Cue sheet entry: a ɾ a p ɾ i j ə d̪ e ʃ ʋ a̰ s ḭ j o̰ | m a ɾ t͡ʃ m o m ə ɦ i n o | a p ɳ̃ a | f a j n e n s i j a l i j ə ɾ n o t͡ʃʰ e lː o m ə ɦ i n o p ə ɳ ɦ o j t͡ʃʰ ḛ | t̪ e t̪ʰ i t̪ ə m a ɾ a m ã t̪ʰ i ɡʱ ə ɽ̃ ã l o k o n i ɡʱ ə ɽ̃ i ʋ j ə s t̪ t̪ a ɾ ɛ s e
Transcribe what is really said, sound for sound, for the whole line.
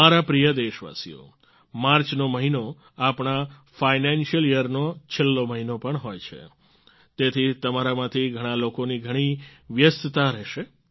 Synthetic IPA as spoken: a ɾ a p ɾ i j ə d̪ e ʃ ʋ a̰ s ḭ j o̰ | m a ɾ t͡ʃ n o m ə ɦ i n o | a p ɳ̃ a | f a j n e n ʃ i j ə l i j ə ɾ n o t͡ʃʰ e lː o m ə ɦ i n o p ə ɳ ɦ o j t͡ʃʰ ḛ | t̪ e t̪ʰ i t̪ ə m a ɾ a m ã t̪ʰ i ɡʱ ə ɽ̃ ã l o k o n i ɡʱ ə ɽ̃ i ʋ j ə s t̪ t̪ a ɾ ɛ ʃ e